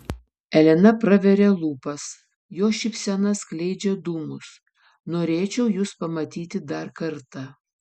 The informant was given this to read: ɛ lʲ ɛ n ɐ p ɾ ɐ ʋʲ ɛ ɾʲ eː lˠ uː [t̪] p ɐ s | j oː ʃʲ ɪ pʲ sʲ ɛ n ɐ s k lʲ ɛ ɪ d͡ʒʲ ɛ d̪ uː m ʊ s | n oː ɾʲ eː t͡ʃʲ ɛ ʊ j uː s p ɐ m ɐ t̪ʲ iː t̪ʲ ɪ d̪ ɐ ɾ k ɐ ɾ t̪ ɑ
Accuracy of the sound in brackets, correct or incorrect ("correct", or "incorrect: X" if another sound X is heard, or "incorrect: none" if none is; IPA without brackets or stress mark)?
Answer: incorrect: none